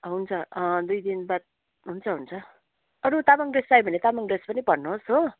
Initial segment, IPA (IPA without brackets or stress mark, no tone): ɦ